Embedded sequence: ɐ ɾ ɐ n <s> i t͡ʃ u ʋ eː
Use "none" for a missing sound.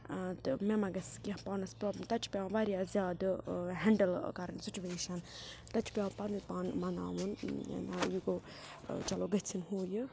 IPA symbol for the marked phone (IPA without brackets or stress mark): s